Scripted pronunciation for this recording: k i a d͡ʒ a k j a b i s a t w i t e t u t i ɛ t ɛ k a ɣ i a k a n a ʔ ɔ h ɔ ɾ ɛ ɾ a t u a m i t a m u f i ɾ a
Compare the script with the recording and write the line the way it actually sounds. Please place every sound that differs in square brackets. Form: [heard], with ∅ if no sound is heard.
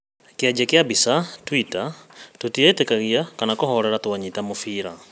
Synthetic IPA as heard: k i a d͡ʒ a k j a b i s a t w i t [a] t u t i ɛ t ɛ k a ɣ i a k a n a [k] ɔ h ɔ ɾ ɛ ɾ a t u a [ɲ] i t a m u f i ɾ a

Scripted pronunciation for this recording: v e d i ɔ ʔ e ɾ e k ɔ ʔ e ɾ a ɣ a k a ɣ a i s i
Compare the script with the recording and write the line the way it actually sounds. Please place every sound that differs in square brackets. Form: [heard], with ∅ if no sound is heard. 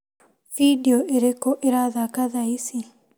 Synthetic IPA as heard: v [i] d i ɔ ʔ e ɾ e k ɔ ʔ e ɾ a [ð] a k a [ð] a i s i

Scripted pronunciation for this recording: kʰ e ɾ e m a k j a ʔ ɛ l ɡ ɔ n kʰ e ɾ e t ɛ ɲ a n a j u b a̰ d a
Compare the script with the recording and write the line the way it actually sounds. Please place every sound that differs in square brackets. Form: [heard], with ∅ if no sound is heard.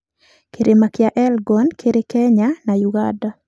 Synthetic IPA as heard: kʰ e ɾ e m a k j a ʔ ɛ l ɡ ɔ n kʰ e ɾ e [k] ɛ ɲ a n a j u [ɡ] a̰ d a

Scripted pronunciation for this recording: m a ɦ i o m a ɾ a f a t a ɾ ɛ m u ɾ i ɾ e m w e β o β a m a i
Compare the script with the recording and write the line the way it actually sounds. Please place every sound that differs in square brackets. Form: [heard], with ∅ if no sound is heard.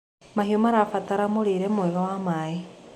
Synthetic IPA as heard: m a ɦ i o m a ɾ a f a t a ɾ [a] m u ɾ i ɾ e m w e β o [w] a m a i

